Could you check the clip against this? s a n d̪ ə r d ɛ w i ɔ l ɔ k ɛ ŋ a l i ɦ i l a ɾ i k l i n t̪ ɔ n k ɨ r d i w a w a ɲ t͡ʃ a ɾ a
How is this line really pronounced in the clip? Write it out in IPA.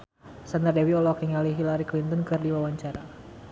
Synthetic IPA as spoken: s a n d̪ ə r d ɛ w i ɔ l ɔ k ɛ ŋ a l i ɦ i l a ɾ i k l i n t̪ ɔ n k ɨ r d i w a w a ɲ t͡ʃ a ɾ a